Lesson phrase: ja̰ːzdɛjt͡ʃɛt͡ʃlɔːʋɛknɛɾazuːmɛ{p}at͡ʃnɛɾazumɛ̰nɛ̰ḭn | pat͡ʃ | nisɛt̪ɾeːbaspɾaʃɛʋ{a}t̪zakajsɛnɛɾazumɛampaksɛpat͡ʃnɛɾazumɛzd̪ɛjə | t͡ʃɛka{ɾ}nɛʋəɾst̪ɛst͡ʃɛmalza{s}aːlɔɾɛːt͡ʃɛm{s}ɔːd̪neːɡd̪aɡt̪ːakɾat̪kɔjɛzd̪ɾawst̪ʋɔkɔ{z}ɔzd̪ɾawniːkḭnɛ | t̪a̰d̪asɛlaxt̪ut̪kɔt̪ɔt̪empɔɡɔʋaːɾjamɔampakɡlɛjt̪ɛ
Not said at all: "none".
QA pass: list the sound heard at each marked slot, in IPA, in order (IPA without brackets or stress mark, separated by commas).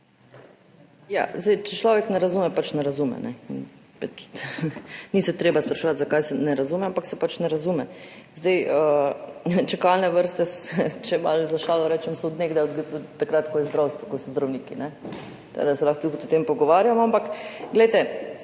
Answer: p, a, l, ʃ, s, s